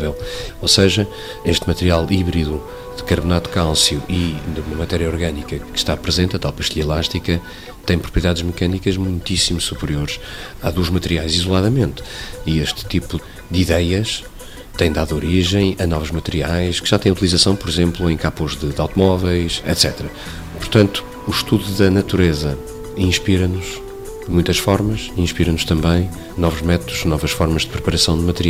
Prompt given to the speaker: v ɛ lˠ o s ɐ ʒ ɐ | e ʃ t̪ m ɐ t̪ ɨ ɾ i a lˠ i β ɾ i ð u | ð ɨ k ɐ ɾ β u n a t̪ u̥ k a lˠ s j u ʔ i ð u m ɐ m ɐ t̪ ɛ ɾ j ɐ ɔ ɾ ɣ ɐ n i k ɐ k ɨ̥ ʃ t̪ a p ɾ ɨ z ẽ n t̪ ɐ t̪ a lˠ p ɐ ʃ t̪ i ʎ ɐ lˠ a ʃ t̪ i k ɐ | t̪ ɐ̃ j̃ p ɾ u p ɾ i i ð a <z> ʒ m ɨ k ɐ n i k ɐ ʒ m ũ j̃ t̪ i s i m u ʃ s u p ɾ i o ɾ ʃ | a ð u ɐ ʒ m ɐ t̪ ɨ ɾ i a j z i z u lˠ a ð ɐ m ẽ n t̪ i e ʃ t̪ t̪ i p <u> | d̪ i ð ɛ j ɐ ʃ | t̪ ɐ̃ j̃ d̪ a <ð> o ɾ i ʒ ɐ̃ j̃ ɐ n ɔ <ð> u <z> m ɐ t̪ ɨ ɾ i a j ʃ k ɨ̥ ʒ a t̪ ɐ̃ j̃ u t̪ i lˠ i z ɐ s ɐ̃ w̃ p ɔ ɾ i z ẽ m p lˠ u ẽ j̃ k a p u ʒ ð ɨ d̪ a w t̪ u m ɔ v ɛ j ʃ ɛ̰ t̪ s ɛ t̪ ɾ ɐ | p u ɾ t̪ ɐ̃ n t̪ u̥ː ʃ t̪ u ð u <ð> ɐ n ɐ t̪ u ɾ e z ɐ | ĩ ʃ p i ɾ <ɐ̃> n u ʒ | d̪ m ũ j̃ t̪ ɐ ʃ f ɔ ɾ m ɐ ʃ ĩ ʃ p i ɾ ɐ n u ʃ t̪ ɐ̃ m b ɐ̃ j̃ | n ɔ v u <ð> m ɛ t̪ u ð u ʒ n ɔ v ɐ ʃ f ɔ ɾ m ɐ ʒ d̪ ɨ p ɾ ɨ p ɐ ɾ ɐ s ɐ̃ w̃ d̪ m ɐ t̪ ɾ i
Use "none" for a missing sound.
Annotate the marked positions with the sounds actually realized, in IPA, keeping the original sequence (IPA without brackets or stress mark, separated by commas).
ð, u, ð, v, ʒ, ð, ɐ, ʒ